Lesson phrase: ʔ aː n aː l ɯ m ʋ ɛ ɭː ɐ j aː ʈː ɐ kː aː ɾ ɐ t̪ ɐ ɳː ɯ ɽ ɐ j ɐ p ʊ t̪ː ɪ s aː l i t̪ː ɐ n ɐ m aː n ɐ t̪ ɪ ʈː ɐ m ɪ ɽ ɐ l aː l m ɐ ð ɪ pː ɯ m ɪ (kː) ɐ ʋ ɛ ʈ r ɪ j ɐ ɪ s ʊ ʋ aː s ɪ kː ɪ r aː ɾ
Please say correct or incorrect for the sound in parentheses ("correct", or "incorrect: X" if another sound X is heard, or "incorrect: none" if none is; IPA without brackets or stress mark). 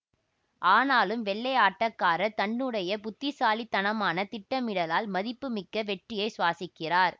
correct